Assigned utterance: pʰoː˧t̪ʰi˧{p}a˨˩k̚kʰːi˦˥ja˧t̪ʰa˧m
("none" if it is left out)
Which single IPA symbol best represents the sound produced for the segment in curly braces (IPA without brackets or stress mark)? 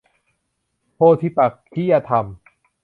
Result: p